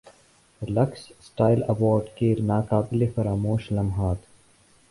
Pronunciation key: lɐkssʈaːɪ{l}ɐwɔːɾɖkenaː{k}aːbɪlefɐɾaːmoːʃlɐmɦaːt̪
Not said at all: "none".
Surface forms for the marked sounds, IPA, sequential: l, k

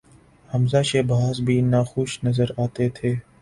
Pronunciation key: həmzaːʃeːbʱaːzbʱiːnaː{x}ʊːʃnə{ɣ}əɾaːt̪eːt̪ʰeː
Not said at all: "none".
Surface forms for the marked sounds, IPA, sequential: x, z

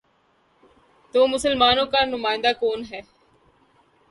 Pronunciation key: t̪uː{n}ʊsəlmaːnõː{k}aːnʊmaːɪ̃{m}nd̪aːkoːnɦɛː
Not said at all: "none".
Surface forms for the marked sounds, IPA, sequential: m, k, none

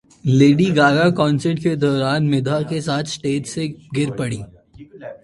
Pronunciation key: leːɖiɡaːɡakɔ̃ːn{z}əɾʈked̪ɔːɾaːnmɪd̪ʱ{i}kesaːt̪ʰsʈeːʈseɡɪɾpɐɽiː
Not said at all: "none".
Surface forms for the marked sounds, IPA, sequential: s, a

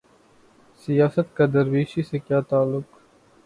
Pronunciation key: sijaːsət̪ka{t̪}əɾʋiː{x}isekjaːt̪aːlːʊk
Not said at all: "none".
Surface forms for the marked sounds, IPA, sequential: d̪, ʃ

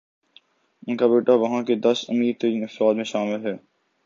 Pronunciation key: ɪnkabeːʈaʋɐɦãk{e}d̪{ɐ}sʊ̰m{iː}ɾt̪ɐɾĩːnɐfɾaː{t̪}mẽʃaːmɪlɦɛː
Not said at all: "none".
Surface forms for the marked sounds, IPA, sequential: e, ɐ, iː, d̪

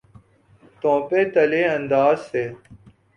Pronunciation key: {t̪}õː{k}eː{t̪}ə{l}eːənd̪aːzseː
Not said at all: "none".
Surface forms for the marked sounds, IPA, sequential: t̪, p, t̪, l

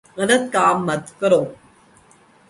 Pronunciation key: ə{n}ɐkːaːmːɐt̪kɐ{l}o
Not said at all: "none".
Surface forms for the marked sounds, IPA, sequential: n, ɾ

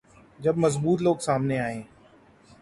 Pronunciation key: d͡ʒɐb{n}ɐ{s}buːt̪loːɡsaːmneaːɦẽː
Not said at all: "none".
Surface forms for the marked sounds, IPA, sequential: m, z

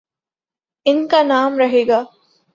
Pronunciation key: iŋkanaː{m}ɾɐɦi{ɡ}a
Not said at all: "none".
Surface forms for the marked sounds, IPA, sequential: m, ɡ

